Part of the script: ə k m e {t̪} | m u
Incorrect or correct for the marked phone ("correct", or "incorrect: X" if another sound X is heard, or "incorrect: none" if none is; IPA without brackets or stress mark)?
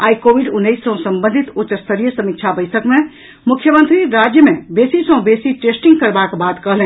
incorrect: none